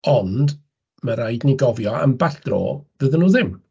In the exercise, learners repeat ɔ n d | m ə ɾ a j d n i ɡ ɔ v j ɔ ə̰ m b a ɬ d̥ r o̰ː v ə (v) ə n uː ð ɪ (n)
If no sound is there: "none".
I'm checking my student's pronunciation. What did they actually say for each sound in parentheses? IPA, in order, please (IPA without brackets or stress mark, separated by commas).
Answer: ð, m